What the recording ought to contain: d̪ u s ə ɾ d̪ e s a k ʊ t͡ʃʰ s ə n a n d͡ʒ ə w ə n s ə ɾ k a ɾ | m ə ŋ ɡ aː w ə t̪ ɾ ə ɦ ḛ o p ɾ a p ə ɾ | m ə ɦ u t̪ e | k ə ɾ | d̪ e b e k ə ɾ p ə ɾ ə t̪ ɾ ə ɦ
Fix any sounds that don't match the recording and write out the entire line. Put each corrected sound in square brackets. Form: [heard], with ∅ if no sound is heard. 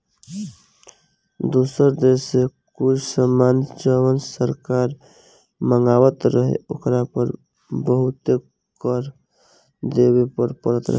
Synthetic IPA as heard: d̪ u s ə ɾ d̪ e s [e] k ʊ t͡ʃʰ s ə [m] a n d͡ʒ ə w ə n s ə ɾ k a ɾ | m ə ŋ ɡ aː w ə t̪ ɾ ə ɦ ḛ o [k] ɾ a p ə ɾ | [b] ə ɦ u t̪ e | k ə ɾ | d̪ e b e [p] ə ɾ p ə ɾ ə t̪ ɾ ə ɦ